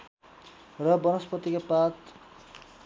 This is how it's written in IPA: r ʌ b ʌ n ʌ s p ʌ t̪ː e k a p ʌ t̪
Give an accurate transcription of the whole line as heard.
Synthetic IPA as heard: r ʌ b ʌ n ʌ s p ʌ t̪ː i k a p a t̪